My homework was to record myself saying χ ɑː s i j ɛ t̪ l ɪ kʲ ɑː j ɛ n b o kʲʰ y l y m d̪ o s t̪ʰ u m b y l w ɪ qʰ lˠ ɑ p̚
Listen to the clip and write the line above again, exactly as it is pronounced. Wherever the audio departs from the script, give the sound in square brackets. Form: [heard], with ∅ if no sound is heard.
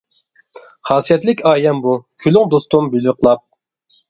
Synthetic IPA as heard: χ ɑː s i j ɛ t̪ l ɪ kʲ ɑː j ɛ [m] b [u] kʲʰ y l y [ŋ] d̪ o s [t̪] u m b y l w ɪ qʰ lˠ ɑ p̚